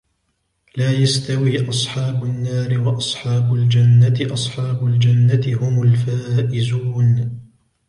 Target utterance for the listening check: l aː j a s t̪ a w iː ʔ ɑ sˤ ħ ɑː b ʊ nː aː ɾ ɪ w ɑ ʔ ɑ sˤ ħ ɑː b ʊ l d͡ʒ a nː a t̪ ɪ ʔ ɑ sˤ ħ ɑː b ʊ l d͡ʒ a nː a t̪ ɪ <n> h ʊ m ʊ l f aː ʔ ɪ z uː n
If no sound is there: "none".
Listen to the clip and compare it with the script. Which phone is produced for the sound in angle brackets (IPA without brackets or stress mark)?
none